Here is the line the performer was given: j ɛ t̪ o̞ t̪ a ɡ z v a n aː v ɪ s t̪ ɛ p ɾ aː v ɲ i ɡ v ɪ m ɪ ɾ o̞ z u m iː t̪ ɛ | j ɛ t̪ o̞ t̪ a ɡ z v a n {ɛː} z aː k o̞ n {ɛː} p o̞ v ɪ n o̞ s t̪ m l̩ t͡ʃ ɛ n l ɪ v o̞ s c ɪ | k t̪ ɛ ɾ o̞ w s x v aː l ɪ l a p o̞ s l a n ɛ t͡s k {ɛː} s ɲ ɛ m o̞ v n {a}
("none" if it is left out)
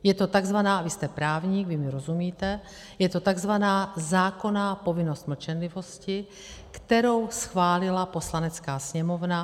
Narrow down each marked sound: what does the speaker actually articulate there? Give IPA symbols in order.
aː, aː, aː, a

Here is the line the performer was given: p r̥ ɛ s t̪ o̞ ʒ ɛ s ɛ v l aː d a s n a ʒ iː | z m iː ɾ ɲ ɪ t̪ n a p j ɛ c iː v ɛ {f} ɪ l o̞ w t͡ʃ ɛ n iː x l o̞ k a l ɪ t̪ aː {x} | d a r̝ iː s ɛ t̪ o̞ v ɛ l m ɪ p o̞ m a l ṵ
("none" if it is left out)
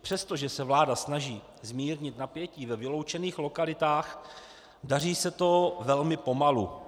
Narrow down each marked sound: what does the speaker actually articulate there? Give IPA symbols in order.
v, x

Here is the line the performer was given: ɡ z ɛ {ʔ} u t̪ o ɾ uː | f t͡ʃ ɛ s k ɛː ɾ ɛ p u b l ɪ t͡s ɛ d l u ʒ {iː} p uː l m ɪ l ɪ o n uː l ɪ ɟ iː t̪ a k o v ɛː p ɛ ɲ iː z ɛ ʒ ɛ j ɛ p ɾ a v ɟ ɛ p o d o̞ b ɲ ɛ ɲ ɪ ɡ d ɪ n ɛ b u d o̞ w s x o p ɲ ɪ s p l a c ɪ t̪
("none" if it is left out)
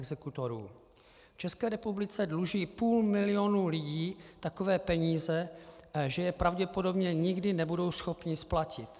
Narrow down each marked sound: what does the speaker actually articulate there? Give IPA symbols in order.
k, iː

